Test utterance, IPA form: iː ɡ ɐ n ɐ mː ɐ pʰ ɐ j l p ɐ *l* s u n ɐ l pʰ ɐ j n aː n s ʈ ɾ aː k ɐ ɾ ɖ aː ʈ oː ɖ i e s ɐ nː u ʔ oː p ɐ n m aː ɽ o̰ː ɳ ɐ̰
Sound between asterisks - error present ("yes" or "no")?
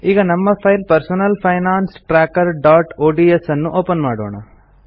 yes